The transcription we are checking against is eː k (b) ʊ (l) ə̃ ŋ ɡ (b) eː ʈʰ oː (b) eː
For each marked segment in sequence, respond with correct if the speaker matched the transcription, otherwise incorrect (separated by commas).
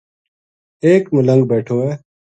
incorrect, correct, correct, incorrect